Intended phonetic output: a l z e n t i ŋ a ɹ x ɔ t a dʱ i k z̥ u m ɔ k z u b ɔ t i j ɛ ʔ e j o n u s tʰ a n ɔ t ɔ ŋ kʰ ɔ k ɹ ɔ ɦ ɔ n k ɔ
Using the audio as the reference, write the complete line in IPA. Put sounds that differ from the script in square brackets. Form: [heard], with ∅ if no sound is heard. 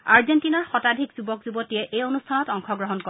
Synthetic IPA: a [ɹ] z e n t i [n] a ɹ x ɔ t a dʱ i k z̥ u [b] ɔ k z u b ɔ t i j ɛ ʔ e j o n u s tʰ a n ɔ t ɔ ŋ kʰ ɔ [ɡ] ɹ ɔ ɦ ɔ n k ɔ